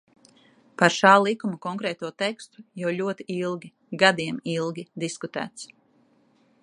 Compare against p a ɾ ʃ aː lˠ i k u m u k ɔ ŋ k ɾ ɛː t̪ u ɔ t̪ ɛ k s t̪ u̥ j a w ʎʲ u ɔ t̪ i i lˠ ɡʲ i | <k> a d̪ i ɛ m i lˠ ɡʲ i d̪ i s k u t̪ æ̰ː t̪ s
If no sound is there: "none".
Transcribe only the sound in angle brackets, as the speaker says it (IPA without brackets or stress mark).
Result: ɡ